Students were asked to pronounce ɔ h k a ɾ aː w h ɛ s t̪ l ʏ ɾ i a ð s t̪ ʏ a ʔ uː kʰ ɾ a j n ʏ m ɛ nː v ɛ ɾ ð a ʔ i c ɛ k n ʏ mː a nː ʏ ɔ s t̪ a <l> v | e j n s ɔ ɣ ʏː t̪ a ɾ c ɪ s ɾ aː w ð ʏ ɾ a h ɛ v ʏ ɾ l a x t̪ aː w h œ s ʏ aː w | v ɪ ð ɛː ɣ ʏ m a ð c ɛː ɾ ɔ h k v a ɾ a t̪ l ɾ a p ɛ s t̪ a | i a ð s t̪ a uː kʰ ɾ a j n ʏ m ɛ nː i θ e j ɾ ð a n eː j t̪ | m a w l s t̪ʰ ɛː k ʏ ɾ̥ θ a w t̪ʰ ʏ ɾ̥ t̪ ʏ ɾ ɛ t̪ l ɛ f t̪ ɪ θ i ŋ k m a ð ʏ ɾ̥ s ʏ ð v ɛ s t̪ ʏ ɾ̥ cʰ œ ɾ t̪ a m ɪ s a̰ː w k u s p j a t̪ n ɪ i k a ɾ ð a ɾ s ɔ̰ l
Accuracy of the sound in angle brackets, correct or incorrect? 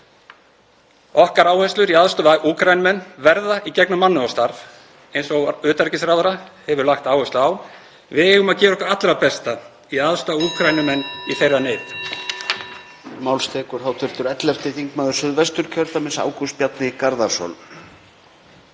incorrect